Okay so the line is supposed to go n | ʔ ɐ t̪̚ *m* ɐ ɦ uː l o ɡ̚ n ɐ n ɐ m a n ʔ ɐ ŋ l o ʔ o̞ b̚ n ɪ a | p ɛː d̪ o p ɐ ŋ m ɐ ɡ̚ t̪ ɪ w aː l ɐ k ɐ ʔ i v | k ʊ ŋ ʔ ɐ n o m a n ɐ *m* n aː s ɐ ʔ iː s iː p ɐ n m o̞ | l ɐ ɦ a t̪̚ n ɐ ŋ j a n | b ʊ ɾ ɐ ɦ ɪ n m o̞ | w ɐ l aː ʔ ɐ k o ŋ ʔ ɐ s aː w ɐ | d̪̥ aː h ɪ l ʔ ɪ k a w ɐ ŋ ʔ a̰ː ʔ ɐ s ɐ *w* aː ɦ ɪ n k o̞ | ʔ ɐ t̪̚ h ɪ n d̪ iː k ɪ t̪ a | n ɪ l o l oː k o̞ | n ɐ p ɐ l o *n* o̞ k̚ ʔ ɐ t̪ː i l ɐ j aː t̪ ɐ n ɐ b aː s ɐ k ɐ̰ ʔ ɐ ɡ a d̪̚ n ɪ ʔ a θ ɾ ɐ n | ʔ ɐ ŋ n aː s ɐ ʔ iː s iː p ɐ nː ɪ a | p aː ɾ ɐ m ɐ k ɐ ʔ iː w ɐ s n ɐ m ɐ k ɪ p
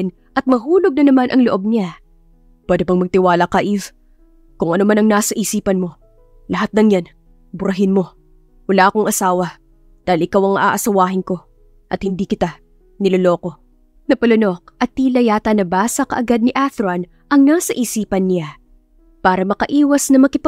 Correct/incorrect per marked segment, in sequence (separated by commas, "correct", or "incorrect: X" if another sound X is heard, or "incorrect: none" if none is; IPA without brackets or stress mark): correct, incorrect: ŋ, correct, correct